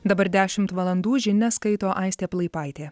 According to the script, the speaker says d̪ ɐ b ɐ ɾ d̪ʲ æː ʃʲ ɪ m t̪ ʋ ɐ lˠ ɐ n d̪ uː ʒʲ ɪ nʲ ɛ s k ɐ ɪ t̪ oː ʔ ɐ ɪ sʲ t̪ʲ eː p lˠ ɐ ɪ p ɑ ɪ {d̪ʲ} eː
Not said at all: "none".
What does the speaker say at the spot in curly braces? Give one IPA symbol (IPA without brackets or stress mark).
t̪ʲ